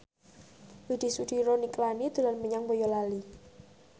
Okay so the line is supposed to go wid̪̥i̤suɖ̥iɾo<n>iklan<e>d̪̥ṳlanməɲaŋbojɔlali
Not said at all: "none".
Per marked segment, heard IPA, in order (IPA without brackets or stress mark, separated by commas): n, i